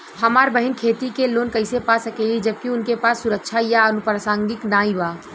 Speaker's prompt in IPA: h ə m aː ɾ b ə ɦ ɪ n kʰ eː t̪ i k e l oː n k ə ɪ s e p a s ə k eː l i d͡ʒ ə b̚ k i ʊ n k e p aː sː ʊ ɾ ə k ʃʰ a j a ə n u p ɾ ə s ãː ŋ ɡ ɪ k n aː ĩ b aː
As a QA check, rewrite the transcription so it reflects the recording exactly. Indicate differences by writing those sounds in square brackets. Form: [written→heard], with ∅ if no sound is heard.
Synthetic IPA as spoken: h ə m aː ɾ b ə ɦ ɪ n kʰ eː t̪ i k e l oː n k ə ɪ s e p a s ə k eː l i d͡ʒ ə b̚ k i ʊ n k e p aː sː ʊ ɾ ə k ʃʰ a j a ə n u p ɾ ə s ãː ŋ ɡ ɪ k n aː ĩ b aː